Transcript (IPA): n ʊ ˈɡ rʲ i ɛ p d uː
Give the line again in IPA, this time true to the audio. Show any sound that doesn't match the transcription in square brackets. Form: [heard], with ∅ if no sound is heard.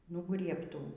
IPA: n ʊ ˈɡ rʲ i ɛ p [t] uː

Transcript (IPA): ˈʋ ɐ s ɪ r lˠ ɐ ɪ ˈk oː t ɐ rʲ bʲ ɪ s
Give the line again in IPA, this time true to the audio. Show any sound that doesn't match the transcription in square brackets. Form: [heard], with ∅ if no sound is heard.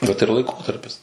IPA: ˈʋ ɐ [t] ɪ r lˠ ɐ ɪ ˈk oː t ɐ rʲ [pʲ] ɪ s

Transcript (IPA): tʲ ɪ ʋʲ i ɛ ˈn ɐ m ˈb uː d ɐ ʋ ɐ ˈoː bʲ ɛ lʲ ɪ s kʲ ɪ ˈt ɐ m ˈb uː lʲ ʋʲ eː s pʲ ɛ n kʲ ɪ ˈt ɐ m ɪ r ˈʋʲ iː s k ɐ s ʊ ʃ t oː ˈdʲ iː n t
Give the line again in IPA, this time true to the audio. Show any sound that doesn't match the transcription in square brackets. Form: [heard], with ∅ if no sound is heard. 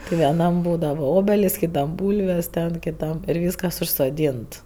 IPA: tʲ ɪ ʋʲ i ɛ ˈn ɐ m ˈb uː d ɐ ʋ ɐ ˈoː bʲ ɛ lʲ ɪ s kʲ ɪ ˈt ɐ m ˈb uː lʲ ʋʲ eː s [tʲ] ɛ n kʲ ɪ ˈt ɐ m ɪ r ˈʋʲ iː s k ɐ s ʊ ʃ [s] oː ˈdʲ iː n t

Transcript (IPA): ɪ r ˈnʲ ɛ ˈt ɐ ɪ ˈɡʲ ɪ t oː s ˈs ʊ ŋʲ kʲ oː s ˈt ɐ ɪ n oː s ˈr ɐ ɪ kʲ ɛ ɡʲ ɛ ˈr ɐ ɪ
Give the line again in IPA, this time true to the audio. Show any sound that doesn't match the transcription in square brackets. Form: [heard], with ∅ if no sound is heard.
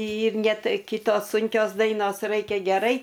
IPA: ɪ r ˈnʲ ɛ ˈt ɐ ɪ [ˈkʲ] ɪ t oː s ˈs ʊ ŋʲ kʲ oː s [ˈd] ɐ ɪ n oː s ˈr ɐ ɪ kʲ ɛ ɡʲ ɛ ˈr ɐ ɪ

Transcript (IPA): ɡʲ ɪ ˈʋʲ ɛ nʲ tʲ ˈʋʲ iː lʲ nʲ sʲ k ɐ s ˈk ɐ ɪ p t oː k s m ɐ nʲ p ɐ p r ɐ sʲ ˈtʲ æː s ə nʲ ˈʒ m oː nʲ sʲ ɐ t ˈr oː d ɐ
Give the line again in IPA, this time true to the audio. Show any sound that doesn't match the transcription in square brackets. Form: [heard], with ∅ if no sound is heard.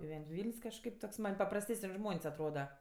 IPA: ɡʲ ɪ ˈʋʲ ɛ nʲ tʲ ˈʋʲ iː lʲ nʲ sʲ k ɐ [ʃ] ˈk ɐ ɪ p t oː k s m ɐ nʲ p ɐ p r ɐ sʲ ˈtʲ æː s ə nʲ ˈʒ m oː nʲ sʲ ɐ t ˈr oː d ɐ

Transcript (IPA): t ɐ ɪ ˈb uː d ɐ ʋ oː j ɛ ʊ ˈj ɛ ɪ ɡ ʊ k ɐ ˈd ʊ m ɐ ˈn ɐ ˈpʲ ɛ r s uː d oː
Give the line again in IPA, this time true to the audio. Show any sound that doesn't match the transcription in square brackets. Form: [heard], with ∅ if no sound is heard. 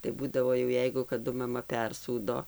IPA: t ɐ ɪ ˈb uː d ɐ ʋ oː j ɛ ʊ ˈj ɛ ɪ ɡ ʊ k ɐ ˈd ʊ m ɐ [ˈm] ɐ ˈpʲ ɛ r s uː d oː

